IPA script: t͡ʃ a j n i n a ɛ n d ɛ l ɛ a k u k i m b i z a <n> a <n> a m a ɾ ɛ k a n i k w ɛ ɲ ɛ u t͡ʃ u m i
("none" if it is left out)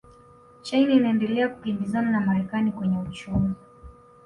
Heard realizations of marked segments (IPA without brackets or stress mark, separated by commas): n, n